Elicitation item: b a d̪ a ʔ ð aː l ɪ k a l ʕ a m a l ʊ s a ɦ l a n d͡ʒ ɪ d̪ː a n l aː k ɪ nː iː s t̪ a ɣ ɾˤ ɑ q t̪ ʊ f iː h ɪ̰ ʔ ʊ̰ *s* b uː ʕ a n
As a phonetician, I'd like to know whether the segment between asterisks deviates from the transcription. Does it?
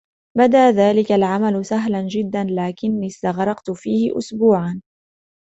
no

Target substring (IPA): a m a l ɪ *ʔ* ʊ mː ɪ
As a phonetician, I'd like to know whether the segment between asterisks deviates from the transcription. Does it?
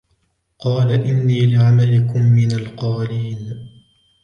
yes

